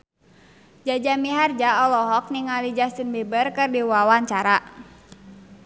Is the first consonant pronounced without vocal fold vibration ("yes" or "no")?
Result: no